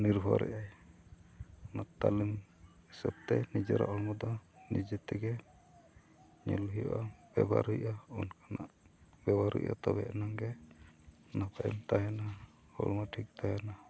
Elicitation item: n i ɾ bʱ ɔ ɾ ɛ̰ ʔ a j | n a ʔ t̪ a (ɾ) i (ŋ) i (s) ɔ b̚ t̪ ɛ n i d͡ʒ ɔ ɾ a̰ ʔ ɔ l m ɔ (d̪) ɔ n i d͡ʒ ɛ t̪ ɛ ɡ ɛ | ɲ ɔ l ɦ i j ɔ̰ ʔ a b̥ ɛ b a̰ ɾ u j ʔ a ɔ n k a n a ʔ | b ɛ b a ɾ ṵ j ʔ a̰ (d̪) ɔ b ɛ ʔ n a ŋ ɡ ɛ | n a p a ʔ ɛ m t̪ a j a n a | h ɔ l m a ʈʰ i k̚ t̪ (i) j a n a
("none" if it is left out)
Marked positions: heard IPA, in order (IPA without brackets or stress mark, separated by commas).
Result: l, m, s, d̪, t̪, a